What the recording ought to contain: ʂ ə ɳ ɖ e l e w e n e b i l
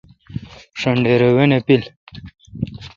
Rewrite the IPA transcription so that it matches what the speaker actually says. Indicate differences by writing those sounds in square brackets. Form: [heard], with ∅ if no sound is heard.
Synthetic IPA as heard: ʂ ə ɳ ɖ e [ɾ] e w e n e [p] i l